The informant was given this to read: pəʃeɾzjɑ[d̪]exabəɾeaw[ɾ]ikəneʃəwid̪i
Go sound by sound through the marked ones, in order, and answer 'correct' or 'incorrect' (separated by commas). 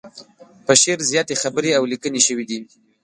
incorrect, incorrect